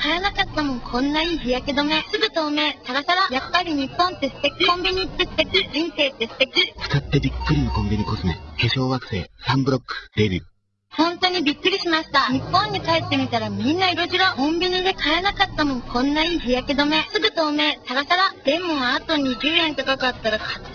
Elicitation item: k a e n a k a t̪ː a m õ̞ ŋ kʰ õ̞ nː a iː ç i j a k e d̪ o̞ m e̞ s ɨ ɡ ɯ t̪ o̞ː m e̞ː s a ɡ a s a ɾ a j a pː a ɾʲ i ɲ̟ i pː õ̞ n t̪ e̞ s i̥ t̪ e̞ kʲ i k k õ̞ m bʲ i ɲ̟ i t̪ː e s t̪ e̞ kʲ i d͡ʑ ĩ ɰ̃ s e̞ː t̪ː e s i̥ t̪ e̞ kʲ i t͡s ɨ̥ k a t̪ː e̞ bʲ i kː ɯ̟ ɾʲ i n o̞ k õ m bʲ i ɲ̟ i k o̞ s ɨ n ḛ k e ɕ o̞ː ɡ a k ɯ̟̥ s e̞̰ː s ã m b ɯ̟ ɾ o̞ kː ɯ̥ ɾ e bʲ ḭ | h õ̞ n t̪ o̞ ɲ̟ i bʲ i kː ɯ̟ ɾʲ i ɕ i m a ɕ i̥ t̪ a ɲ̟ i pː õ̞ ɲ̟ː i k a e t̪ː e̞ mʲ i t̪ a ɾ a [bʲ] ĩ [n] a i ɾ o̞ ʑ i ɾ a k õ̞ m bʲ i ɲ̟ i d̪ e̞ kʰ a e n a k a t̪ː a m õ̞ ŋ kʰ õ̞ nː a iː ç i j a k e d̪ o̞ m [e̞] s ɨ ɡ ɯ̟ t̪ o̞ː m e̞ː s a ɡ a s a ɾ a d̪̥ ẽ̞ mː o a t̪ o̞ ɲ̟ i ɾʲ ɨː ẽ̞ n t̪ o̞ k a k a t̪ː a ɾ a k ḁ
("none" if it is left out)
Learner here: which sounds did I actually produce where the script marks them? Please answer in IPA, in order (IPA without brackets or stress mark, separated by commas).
mʲ, nː, e̞